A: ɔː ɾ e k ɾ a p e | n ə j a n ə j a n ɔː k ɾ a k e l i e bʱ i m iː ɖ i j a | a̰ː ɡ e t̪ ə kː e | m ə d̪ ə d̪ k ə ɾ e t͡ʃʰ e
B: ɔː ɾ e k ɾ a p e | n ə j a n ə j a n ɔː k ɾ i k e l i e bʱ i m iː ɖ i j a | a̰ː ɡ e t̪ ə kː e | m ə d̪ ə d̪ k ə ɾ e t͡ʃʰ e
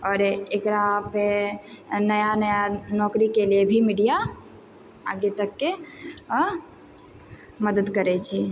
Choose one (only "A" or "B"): B